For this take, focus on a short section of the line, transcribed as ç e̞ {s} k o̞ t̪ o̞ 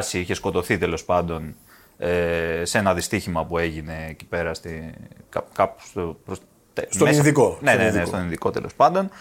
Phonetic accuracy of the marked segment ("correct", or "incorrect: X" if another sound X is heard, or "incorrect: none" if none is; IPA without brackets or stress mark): correct